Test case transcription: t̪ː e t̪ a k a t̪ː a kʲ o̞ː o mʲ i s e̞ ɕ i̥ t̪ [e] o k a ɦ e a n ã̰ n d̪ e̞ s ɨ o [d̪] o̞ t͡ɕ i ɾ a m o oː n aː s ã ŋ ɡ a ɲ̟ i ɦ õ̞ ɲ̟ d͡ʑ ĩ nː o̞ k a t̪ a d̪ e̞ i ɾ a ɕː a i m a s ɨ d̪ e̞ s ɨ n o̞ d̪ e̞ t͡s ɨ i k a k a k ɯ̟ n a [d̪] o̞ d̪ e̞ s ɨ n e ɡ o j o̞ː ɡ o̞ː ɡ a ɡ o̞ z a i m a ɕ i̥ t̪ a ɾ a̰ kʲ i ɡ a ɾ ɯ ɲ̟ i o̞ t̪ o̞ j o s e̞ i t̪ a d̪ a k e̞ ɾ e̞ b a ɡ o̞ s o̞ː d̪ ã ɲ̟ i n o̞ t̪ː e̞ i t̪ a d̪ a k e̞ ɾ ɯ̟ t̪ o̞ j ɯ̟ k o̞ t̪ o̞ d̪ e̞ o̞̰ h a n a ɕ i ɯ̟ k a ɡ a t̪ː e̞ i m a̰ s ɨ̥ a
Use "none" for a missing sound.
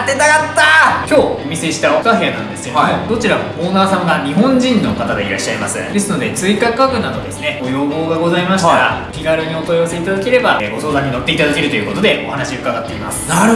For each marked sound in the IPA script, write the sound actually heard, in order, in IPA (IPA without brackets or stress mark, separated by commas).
a, d̪, d̪